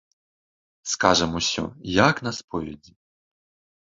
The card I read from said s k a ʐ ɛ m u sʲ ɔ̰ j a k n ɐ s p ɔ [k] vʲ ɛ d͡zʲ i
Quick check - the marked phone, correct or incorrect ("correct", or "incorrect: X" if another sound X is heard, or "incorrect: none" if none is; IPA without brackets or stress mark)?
incorrect: none